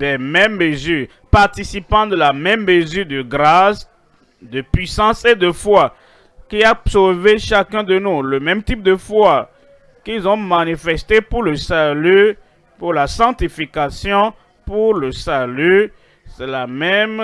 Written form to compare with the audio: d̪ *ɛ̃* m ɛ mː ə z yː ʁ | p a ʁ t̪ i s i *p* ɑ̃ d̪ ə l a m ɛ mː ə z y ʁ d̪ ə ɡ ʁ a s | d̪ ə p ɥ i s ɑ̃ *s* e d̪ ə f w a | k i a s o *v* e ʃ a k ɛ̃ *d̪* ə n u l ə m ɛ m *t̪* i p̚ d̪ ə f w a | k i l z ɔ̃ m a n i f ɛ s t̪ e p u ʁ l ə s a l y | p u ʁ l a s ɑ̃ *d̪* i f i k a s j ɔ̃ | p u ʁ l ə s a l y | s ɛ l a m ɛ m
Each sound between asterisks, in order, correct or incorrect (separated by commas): incorrect, correct, correct, correct, correct, correct, incorrect